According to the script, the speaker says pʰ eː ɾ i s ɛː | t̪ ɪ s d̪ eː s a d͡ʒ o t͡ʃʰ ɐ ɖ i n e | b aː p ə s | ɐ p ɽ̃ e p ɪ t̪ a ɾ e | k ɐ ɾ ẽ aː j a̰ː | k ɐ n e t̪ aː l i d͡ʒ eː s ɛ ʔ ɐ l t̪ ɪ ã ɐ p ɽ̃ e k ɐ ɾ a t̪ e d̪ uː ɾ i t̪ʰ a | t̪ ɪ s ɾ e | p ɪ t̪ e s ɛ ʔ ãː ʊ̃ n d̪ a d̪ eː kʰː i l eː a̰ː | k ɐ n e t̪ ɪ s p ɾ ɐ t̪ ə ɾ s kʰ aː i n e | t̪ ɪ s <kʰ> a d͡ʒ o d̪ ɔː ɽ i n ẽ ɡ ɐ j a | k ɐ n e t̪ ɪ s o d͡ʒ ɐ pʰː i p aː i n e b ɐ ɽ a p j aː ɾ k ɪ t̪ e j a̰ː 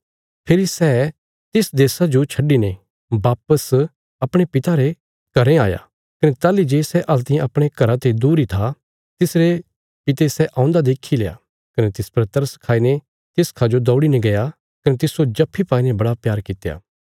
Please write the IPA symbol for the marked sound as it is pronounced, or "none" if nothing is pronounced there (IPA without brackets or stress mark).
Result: kʰ